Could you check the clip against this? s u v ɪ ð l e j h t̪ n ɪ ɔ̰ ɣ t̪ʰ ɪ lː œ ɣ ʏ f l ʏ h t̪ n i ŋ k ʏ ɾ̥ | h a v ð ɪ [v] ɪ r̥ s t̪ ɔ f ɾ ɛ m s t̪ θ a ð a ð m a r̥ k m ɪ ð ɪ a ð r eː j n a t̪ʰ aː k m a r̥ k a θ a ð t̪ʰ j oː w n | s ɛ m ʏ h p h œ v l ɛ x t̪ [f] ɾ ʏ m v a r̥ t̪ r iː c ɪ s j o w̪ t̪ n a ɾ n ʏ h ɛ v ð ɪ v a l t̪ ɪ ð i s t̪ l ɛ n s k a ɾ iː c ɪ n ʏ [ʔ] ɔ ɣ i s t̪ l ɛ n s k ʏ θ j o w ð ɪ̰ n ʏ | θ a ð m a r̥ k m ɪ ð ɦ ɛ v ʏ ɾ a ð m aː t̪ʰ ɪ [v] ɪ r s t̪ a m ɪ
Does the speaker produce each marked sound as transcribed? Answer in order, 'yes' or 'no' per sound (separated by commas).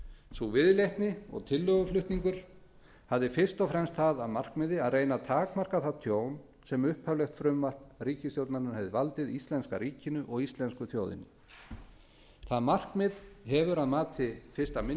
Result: no, yes, yes, no